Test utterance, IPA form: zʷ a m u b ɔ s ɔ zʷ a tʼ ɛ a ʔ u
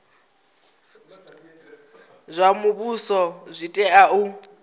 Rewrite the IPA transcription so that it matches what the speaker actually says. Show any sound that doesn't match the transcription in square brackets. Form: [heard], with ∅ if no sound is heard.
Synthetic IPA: zʷ a m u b [u] s ɔ zʷ [i] tʼ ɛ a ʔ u